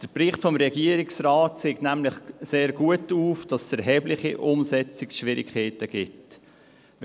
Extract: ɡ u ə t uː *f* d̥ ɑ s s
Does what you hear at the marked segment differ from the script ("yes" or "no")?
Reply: no